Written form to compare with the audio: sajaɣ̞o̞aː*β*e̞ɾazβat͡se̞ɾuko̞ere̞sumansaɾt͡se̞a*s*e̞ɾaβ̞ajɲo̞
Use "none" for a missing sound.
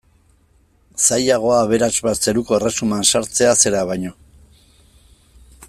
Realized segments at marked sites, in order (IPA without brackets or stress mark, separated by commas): β, s